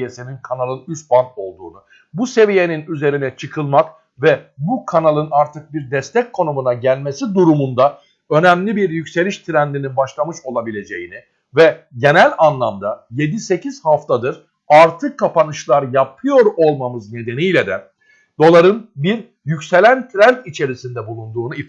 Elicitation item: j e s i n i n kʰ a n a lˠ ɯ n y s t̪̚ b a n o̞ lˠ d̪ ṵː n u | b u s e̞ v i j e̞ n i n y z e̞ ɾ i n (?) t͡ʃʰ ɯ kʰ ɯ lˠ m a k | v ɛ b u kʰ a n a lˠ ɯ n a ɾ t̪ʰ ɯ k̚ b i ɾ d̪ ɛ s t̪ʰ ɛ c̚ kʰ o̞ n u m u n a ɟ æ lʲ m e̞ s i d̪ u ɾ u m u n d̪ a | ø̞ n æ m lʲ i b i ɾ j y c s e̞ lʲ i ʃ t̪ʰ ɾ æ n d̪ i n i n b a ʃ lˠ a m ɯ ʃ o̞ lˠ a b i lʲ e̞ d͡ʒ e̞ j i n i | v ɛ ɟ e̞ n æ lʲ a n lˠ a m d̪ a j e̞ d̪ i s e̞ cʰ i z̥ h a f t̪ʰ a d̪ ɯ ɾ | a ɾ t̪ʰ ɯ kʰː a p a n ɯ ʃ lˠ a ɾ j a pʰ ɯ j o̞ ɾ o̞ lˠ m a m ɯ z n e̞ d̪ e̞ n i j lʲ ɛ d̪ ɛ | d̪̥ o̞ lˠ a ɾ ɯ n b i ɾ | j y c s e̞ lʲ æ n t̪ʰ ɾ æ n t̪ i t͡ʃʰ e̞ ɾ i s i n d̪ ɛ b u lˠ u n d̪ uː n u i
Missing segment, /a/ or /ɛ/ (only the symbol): ɛ